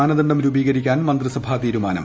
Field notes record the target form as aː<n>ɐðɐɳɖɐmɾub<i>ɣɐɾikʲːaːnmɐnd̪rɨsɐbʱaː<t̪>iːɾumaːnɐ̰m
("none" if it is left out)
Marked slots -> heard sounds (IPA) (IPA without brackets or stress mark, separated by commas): n, iː, t̪